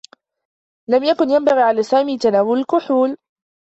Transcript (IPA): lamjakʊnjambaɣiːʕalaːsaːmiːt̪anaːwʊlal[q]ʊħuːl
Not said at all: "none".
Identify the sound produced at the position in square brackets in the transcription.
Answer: k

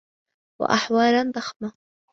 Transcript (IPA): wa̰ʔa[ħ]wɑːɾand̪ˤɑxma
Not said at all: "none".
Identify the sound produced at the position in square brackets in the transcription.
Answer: ħ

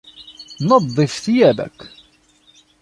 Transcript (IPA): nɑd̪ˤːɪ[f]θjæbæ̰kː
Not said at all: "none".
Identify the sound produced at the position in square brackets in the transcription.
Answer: f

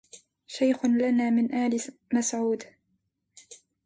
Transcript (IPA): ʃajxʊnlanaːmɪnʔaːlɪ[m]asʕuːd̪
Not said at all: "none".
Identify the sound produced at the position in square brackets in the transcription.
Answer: m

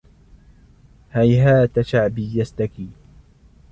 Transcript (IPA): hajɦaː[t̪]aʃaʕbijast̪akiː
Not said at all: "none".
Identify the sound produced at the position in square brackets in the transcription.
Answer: t̪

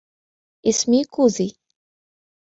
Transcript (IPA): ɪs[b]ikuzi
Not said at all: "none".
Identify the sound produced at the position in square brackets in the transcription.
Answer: m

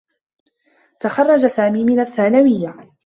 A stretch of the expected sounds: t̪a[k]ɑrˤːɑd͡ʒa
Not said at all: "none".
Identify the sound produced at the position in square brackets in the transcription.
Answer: x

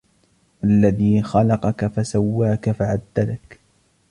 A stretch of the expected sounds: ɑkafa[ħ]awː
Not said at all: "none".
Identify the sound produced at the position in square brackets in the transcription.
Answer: s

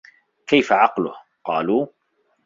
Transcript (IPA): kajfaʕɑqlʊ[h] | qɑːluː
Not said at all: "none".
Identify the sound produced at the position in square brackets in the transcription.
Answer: h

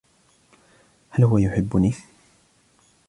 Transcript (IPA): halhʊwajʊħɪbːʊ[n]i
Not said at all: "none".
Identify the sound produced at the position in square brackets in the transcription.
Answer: n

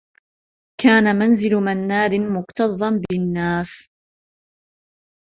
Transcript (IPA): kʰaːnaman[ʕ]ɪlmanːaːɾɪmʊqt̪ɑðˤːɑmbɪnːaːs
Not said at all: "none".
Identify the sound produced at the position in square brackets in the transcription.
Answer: z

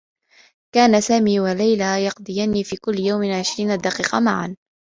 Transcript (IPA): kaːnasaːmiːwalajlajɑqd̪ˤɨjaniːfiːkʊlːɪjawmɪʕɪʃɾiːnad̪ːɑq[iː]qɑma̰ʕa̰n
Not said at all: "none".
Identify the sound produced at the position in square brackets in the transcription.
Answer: iː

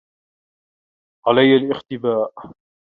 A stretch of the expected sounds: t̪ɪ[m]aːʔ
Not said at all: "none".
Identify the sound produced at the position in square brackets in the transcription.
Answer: b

